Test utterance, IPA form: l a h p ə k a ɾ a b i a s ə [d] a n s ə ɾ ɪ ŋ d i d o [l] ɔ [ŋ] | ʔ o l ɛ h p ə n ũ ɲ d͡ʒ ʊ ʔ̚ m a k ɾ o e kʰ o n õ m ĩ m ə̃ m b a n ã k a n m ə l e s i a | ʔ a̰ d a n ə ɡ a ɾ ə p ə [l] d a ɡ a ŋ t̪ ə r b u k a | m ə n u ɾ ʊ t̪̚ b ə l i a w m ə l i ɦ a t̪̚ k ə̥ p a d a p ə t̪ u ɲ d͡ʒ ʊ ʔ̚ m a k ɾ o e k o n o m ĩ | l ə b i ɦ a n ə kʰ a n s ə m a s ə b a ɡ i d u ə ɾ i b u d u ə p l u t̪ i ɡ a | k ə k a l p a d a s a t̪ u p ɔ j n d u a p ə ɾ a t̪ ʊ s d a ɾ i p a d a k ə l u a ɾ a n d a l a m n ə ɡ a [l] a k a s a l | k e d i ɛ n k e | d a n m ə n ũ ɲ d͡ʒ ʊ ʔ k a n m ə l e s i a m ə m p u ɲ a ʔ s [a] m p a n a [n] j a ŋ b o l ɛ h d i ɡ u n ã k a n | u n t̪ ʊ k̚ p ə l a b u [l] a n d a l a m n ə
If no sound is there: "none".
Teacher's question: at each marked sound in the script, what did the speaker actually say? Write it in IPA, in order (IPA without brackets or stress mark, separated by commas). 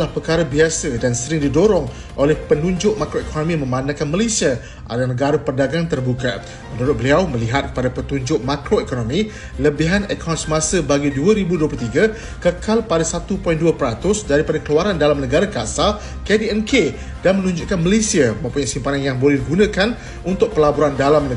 d, ɾ, ŋ, r, ɾ, i, n, ɾ